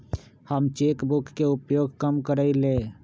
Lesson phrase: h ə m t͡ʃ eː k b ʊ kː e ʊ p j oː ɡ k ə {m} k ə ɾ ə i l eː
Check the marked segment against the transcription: correct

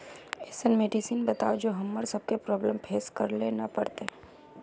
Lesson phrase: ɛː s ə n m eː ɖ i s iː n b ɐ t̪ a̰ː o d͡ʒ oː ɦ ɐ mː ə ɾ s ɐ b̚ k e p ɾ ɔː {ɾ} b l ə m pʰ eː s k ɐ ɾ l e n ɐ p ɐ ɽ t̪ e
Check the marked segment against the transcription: incorrect: none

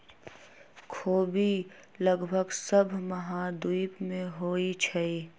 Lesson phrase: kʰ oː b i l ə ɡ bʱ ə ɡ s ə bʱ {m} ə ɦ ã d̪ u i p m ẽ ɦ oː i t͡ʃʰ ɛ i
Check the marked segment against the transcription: correct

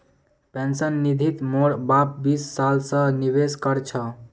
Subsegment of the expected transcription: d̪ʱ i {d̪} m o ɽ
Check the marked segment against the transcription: incorrect: t̪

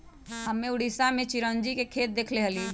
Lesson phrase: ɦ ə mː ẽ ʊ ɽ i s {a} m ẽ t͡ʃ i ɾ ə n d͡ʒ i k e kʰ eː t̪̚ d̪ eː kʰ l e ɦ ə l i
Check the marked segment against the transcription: correct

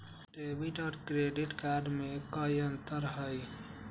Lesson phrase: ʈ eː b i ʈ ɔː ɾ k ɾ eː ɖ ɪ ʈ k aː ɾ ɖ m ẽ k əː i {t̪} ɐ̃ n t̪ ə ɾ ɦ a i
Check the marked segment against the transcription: incorrect: none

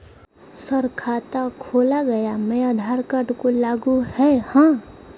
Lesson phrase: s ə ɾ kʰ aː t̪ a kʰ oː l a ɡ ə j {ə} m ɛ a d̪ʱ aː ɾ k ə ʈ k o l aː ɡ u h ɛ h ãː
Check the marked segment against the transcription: incorrect: a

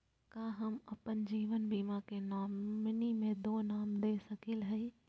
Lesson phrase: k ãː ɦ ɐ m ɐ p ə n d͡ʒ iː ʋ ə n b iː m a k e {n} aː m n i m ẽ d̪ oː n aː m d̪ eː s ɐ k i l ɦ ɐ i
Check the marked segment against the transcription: correct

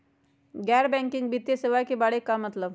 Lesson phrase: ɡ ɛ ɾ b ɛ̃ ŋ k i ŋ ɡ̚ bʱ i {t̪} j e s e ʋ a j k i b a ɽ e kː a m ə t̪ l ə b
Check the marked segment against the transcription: correct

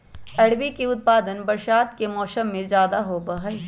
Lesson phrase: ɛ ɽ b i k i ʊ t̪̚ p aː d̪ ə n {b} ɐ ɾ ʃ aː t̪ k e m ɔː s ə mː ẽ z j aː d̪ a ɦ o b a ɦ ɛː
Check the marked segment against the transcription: correct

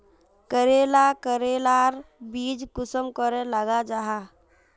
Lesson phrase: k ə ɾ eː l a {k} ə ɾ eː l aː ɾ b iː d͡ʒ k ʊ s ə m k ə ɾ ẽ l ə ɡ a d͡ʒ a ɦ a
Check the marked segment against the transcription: correct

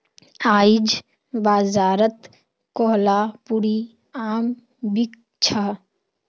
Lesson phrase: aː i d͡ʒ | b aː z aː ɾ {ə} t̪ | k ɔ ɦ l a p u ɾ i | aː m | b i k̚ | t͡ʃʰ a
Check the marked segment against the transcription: correct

